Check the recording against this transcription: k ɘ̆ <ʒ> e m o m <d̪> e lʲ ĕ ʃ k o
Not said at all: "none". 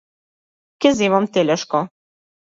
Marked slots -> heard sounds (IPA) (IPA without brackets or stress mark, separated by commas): z, t̪